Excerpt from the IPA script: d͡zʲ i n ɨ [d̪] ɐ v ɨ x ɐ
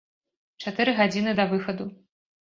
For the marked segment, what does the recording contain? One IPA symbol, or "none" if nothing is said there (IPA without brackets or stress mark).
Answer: d̪